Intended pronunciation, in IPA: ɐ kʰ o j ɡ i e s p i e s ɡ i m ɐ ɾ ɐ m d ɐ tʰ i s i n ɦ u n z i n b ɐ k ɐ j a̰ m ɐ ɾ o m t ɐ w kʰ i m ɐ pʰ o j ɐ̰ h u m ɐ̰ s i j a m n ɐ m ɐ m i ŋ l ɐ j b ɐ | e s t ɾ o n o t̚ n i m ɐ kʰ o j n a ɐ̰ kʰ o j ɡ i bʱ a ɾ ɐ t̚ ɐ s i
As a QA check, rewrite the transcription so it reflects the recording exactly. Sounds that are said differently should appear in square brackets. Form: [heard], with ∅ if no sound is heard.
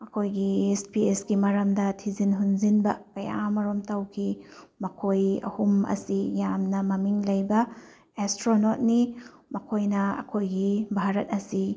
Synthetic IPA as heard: ɐ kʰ o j ɡ i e s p i e s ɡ i m ɐ ɾ ɐ m d ɐ tʰ i [z] i n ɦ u n z i n b ɐ k ɐ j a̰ m ɐ ɾ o m t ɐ w kʰ i m ɐ [kʰ] o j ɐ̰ h u m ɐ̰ s i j a m n ɐ m ɐ m i ŋ l ɐ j b ɐ | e s t ɾ o n o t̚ n i m ɐ kʰ o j n [ɐ] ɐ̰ kʰ o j ɡ i bʱ a ɾ ɐ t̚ ɐ s i